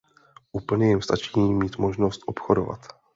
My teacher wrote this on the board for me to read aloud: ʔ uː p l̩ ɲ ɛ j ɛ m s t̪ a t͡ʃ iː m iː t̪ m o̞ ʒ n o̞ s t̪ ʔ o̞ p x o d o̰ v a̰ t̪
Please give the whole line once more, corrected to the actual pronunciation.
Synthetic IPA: ʔ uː p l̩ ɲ ɛ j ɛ m s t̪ a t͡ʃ iː m iː t̪ m o̞ ʒ n o̞ s t̪ ʔ o̞ p x o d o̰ v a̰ t̪